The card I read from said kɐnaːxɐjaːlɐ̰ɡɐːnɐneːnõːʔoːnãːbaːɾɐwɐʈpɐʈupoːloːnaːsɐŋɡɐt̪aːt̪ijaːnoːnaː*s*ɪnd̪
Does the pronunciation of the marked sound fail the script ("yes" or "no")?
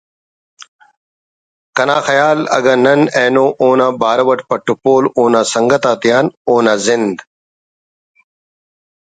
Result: yes